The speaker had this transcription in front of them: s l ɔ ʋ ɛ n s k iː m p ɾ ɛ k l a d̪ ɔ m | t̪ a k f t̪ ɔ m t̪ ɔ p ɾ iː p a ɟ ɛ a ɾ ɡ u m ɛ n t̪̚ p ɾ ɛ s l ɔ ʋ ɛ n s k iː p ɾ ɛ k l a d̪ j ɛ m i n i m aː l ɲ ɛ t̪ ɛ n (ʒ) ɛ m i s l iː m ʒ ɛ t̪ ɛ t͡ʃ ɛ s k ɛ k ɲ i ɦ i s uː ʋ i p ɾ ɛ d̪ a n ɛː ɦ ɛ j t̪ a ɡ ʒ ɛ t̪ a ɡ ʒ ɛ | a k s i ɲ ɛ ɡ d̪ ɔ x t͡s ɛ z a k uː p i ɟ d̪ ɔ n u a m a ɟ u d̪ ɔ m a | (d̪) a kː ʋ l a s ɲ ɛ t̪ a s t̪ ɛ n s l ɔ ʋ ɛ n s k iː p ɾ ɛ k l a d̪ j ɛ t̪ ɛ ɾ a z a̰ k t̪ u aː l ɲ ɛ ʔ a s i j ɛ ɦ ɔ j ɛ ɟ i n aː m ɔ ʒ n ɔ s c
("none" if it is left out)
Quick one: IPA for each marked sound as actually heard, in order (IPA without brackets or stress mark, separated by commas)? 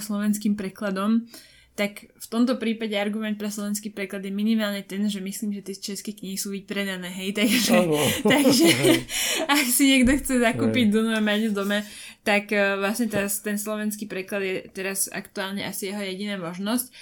ʒ, t̪